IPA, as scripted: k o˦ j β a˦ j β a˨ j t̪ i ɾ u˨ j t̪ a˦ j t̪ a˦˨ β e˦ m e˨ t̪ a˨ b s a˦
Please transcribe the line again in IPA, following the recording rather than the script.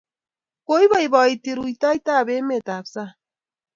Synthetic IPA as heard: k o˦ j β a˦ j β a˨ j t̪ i ɾ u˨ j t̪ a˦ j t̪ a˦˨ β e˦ m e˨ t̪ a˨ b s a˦